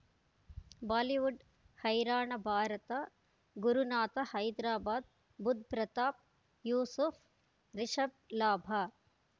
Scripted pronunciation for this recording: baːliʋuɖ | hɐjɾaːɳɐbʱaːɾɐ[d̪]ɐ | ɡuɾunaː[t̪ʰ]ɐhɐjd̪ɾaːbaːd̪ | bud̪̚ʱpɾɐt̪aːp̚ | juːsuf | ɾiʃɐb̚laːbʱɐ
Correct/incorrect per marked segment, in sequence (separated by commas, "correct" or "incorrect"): incorrect, incorrect